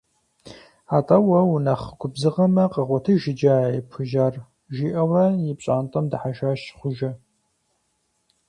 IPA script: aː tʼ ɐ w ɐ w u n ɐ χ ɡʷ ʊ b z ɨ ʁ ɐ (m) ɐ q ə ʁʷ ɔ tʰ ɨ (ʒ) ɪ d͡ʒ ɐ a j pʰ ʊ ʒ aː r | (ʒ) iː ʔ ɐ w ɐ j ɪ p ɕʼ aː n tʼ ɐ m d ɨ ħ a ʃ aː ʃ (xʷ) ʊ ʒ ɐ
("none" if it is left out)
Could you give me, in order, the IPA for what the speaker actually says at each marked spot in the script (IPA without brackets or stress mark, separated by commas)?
m, ʒ, ʒ, χʷ